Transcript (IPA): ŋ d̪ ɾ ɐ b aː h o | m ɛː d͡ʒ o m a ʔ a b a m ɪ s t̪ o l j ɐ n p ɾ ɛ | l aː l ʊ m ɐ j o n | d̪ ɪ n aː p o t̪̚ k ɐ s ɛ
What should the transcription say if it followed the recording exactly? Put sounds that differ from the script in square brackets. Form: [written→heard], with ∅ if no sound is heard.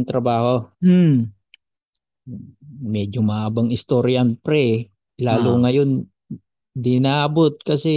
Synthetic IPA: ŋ [d̪→t̪] ɾ ɐ b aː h o | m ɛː d͡ʒ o m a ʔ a b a [m→ŋ] ɪ s t̪ o [l→ɾ] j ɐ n p ɾ ɛ | l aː l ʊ [m→ŋ] ɐ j o n | d̪ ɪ n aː [p→b] o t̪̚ k ɐ s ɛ